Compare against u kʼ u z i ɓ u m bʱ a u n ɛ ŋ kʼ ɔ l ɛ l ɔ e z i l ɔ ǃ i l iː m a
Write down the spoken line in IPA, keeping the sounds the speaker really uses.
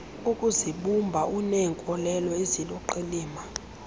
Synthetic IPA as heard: u kʼ u z i ɓ u m bʱ a u n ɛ ŋ kʼ ɔ l ɛ l ɔ e z i l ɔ ǃ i l iː m a